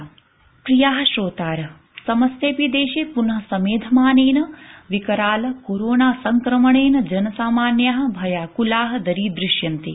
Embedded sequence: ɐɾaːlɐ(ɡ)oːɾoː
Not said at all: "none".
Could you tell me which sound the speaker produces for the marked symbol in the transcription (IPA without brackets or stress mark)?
k